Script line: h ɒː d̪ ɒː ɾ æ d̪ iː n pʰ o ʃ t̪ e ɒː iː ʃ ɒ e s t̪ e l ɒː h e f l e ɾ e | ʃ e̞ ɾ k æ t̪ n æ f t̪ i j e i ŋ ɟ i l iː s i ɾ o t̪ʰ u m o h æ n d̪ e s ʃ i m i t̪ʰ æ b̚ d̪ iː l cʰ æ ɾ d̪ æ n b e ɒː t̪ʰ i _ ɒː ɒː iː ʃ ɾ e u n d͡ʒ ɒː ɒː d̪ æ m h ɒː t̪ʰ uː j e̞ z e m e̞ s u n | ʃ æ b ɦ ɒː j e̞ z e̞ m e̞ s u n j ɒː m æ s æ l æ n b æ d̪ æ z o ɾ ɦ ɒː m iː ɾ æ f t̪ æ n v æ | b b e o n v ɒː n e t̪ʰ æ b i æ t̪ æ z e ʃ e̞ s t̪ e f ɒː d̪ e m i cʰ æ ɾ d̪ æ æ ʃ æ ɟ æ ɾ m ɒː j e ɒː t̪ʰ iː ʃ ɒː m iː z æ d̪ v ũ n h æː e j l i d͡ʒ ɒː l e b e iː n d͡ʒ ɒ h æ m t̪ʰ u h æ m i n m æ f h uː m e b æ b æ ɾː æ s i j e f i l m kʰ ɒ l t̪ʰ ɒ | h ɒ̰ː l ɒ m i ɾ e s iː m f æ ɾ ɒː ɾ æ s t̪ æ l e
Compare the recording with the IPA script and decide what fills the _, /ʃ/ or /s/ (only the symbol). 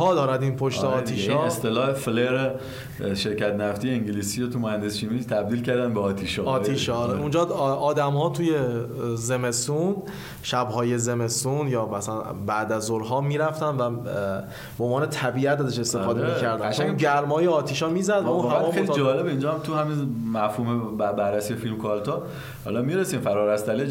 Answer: ʃ